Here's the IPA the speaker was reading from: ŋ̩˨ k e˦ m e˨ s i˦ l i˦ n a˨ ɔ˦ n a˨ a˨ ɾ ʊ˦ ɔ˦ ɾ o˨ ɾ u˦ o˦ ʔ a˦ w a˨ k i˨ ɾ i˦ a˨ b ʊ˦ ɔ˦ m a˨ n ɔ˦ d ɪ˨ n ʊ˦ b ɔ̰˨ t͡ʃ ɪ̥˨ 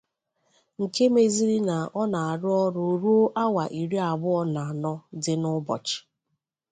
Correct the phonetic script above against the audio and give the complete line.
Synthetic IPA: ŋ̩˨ k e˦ m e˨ z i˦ ɾ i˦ n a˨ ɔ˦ n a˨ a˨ ɾ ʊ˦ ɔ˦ ɾ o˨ ɾ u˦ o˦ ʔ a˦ w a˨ ʔ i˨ ɾ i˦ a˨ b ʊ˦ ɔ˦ n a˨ n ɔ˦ d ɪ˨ n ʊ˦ b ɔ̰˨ t͡ʃ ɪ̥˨

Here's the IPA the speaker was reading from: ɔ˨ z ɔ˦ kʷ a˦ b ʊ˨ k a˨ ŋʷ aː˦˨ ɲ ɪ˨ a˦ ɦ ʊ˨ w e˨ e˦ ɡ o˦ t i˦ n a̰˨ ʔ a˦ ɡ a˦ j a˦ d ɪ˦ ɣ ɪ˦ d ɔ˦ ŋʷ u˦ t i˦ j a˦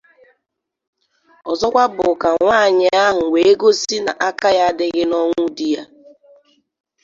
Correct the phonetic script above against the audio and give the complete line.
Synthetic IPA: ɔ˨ z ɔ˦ kʷ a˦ b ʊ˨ k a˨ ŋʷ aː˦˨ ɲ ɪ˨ a˦ ɦ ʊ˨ w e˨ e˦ ɡ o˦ s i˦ n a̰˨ ʔ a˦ k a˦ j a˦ d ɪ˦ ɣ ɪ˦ n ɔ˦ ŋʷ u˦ d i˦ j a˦

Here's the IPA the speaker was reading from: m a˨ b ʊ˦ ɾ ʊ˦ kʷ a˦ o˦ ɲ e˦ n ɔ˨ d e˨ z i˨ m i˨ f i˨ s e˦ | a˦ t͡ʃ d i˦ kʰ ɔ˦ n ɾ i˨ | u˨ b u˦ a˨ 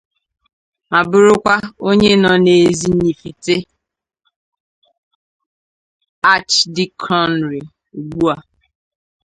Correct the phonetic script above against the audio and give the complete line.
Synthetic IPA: m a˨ b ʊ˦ ɾ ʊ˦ kʷ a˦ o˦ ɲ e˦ n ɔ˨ n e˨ z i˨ ɲ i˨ f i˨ t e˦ | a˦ t͡ʃ d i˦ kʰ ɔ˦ n ɾ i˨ | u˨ ɡ͡b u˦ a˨

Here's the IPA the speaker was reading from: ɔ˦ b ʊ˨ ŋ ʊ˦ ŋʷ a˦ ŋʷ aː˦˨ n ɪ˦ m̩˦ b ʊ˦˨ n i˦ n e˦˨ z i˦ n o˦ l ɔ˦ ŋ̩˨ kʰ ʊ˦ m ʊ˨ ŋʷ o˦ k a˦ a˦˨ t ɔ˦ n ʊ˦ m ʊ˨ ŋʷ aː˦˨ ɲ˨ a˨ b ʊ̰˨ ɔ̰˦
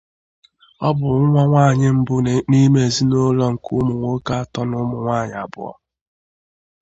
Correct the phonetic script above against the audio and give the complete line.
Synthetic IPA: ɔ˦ b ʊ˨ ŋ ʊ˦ ŋʷ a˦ ŋʷ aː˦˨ ɲ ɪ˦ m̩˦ b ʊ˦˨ n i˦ m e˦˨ z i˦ n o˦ l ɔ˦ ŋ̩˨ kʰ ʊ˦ m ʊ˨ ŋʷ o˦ k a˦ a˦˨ t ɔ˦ n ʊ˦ m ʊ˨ ŋʷ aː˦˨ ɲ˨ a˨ b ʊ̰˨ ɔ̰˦

